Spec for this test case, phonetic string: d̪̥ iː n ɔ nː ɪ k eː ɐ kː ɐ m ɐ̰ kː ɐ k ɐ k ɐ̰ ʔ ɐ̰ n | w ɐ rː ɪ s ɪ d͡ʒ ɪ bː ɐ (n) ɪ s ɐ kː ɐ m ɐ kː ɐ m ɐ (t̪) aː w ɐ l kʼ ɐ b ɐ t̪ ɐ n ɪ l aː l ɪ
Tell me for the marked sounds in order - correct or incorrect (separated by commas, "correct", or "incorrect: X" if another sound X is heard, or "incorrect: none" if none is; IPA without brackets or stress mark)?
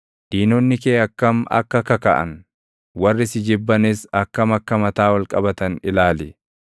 correct, correct